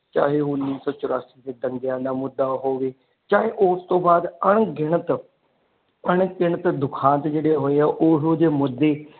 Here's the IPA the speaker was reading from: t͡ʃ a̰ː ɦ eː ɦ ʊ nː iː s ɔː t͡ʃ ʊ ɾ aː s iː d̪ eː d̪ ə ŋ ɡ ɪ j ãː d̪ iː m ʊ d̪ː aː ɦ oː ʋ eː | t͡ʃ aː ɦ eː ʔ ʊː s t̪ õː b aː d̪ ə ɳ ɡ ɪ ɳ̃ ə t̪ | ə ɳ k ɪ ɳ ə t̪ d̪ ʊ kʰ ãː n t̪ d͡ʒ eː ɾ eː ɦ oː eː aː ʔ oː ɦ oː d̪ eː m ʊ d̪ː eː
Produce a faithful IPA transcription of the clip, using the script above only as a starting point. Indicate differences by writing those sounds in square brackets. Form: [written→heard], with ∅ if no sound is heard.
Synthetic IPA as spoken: t͡ʃ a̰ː ɦ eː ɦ ʊ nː iː s ɔː t͡ʃ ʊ ɾ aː s iː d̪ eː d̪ ə ŋ ɡ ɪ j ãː d̪ [iː→aː] m ʊ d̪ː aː ɦ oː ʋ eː | t͡ʃ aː ɦ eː ʔ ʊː s t̪ õː b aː d̪ ə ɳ ɡ ɪ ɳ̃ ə t̪ | ə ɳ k ɪ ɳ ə t̪ d̪ ʊ kʰ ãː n t̪ d͡ʒ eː [ɾ→ɽ] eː ɦ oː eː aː ʔ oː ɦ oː d̪ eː m ʊ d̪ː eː

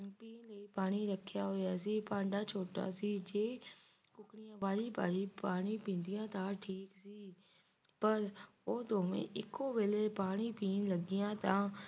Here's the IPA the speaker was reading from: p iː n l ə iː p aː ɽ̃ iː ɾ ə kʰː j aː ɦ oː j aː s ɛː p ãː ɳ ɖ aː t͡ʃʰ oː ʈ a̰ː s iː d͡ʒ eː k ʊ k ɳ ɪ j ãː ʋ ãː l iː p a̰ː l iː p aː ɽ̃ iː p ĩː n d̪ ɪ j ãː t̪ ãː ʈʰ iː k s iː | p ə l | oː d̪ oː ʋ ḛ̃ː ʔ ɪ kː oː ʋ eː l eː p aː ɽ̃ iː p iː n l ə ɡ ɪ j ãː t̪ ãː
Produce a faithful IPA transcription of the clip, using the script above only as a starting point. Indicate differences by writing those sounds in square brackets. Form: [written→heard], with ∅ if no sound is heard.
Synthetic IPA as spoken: p iː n l ə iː p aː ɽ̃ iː ɾ ə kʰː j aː ɦ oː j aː s [ɛː→iː] p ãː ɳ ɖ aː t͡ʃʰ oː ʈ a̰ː s iː d͡ʒ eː k ʊ k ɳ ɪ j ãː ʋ [ãː→aː] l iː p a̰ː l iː p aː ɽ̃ iː p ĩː n d̪ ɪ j ãː t̪ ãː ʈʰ iː k s iː | p ə [l→ɾ] | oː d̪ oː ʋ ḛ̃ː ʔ ɪ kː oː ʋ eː l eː p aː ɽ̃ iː p iː n l ə ɡ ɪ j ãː t̪ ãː

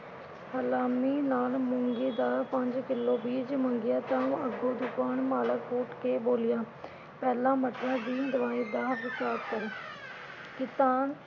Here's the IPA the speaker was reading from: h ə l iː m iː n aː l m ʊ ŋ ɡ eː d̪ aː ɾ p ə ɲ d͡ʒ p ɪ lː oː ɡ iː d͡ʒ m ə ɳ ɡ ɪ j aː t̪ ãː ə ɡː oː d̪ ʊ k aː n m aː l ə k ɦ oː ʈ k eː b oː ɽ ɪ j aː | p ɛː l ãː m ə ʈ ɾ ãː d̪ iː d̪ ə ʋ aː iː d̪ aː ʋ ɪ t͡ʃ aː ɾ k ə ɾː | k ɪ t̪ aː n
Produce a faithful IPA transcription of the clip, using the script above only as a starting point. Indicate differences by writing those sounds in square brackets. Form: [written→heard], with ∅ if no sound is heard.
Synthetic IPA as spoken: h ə l [iː→aː] m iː n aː l m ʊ ŋ ɡ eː d̪ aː ɾ p ə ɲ d͡ʒ [p→k] ɪ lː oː [ɡ→b] iː d͡ʒ m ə [ɳ→ŋ] ɡ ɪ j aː t̪ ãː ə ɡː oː d̪ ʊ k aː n m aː l ə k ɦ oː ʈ k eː b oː [ɽ→l] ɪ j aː | p ɛː l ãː m ə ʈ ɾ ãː d̪ iː d̪ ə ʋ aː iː d̪ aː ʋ ɪ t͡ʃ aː ɾ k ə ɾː | k ɪ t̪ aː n

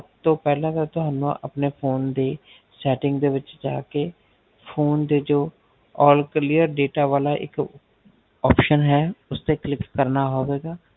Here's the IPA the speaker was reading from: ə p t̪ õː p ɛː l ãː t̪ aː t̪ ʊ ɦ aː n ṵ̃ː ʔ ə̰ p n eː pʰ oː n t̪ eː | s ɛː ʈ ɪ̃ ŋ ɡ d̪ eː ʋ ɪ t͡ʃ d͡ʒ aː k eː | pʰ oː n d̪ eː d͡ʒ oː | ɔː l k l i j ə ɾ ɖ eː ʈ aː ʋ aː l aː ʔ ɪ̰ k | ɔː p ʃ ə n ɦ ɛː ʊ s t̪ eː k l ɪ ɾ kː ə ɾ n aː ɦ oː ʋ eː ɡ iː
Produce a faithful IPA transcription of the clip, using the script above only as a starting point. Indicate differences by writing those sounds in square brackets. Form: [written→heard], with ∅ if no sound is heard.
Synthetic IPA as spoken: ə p t̪ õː p ɛː l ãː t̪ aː t̪ ʊ ɦ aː n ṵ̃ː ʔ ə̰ p n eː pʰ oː n [t̪→d̪] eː | s ɛː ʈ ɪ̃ ŋ ɡ d̪ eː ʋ ɪ t͡ʃ d͡ʒ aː k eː | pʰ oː n d̪ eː d͡ʒ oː | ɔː l k l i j ə ɾ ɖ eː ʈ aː ʋ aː l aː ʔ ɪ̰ k | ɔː p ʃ ə n ɦ ɛː ʊ s t̪ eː k l ɪ [ɾ→∅] kː ə ɾ n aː ɦ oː ʋ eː ɡ [iː→aː]

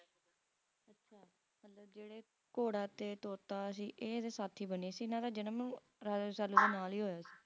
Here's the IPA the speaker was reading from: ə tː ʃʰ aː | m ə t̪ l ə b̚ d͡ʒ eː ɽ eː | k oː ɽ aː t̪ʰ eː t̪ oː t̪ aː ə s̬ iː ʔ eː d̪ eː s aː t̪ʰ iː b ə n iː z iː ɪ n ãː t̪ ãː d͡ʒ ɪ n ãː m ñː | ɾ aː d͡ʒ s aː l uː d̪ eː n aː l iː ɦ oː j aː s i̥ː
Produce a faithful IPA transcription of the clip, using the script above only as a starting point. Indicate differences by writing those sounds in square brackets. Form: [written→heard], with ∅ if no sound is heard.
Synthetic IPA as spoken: ə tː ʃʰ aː | m ə t̪ l ə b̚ d͡ʒ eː ɽ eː | k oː ɽ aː [t̪ʰ→t̪] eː t̪ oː t̪ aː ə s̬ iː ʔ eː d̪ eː s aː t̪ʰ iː b ə n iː [z→s] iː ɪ n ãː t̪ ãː d͡ʒ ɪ n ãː m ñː | ɾ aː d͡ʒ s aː l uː d̪ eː n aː l iː ɦ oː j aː s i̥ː

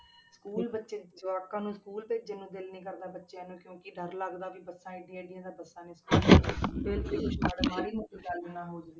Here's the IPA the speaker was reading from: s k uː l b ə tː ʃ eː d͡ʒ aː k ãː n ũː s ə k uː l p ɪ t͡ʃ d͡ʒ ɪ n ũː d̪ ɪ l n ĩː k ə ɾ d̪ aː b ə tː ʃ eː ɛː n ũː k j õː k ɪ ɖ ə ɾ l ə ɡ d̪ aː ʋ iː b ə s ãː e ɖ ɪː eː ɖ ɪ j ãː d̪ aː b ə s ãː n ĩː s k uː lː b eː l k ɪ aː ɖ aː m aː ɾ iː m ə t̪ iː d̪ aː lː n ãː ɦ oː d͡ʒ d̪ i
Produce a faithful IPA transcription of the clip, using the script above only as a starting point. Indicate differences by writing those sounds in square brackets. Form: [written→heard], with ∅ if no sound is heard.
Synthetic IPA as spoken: s k uː l b ə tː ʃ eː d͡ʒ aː k ãː n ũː s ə k uː l p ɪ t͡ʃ d͡ʒ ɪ n ũː d̪ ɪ l n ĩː k ə ɾ d̪ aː b ə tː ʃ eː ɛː n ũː k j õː k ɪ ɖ ə ɾ l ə ɡ d̪ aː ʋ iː b ə s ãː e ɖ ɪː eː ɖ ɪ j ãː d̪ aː b ə s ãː n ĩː s k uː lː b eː l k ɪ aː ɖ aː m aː ɾ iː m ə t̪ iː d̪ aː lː n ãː ɦ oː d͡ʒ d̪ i

